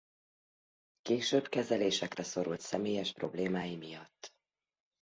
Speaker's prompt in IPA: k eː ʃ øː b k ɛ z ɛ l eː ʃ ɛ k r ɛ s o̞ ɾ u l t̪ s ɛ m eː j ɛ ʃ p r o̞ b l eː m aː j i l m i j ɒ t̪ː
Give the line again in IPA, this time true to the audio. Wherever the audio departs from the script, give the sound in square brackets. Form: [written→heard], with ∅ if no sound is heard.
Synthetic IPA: k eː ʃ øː b k ɛ z ɛ l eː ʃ ɛ k r ɛ s o̞ ɾ u l t̪ s ɛ m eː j ɛ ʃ p r o̞ b l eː m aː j i [l→∅] m i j ɒ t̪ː